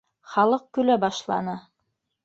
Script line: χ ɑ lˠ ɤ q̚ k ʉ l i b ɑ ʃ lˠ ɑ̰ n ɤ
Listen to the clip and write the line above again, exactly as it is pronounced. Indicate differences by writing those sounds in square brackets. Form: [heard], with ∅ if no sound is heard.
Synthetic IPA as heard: χ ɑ lˠ ɤ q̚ k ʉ l [æ] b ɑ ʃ lˠ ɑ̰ n ɤ